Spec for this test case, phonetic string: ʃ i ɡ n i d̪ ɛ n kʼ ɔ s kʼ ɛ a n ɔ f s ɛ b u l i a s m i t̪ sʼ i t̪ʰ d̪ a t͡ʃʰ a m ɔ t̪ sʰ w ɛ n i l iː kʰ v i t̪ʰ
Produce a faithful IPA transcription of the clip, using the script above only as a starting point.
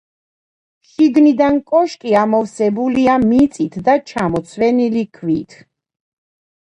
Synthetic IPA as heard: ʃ i ɡ n i d̪ a n kʼ ɔ ʃ kʼ i a m ɔ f s ɛ b u l i a m i t̪ sʼ i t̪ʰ d̪ a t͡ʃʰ a m ɔ t̪ sʰ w ɛ n i l i kʰ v i t̪ʰ